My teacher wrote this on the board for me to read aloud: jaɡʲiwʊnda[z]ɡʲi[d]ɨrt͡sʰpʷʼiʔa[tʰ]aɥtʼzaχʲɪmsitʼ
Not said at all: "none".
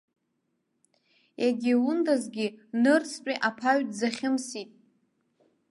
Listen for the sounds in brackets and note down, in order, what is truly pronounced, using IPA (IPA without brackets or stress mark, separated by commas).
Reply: z, n, pʰ